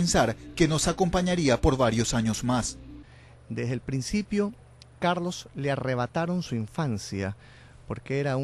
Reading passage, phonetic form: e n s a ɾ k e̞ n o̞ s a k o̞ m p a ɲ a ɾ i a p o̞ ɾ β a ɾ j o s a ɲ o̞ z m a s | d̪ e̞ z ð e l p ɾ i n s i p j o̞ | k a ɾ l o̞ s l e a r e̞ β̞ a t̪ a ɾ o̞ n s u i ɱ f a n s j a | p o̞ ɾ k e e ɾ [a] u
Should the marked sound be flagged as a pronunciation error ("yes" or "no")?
no